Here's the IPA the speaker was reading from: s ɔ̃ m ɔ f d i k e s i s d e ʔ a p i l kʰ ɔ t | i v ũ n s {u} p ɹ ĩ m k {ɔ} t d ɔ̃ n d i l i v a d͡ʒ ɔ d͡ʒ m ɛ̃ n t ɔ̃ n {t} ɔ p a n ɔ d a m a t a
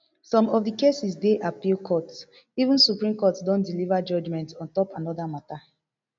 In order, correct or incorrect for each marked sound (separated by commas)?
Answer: correct, correct, correct